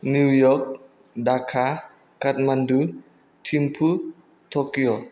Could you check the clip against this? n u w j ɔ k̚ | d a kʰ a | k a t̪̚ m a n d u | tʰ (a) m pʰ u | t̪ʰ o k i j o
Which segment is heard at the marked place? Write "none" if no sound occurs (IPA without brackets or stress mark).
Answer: i